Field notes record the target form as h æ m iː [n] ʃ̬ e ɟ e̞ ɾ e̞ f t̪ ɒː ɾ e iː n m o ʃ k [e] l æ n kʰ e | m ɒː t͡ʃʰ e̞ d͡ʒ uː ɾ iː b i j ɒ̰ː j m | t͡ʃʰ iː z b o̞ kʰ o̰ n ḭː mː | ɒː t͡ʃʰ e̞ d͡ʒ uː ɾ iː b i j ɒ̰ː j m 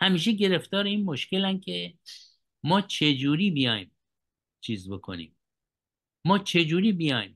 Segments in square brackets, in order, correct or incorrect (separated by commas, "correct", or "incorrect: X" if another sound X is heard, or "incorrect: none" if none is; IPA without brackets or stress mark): incorrect: none, correct